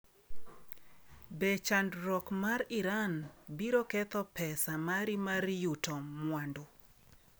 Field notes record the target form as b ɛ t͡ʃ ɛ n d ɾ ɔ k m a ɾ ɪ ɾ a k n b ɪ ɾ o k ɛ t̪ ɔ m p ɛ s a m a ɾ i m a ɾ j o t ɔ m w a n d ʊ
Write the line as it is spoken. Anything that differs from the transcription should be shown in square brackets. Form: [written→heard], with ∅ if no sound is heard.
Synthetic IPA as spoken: b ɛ t͡ʃ [ɛ→a] n d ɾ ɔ k m a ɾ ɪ ɾ a [k→∅] n b [ɪ→i] ɾ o k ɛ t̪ ɔ [m→∅] p ɛ s a m a ɾ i m a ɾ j [o→u] t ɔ m w a n d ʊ